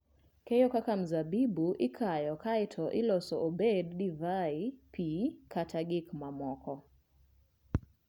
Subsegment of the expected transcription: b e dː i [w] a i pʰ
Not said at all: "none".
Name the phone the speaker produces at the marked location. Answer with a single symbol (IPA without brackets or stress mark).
v